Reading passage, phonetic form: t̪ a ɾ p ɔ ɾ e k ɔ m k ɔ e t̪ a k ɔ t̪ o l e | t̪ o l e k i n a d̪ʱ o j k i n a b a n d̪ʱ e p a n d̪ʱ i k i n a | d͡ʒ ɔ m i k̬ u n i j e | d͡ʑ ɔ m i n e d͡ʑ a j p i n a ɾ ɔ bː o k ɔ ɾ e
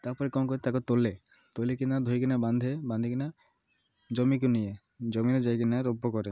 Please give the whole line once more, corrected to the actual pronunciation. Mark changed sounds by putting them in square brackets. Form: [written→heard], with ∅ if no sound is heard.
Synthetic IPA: t̪ a ɾ p ɔ ɾ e k ɔ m k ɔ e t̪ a k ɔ t̪ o l e | t̪ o l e k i n a d̪ʱ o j k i n a b a n d̪ʱ e [p→b] a n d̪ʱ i k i n a | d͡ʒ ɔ m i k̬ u n i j e | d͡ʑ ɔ m i n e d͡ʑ a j [p→k] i n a ɾ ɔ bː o k ɔ ɾ e